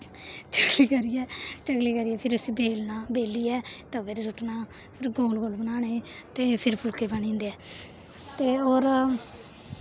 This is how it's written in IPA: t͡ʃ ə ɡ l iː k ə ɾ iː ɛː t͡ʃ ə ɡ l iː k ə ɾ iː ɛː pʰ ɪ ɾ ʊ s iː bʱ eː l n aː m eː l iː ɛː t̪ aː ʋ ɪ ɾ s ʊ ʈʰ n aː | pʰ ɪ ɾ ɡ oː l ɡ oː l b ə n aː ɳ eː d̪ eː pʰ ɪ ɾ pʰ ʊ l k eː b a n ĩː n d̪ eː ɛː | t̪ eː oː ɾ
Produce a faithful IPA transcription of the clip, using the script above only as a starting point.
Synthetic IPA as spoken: t͡ʃ ə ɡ l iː k ə ɾ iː ɛː t͡ʃ ə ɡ l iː k ə ɾ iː ɛː pʰ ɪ ɾ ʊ s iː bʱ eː l n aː b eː l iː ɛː t̪ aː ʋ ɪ ɾ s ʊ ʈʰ n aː | pʰ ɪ ɾ ɡ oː l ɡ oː l b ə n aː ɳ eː t̪ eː pʰ ɪ ɾ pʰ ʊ l k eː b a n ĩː n d̪ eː ɛː | t̪ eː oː ɾ